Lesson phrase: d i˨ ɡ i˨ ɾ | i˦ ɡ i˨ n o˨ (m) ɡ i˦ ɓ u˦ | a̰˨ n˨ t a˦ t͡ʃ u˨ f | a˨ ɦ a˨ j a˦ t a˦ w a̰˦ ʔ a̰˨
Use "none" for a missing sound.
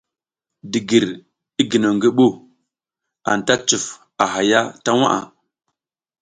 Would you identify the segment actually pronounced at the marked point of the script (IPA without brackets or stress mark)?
ŋ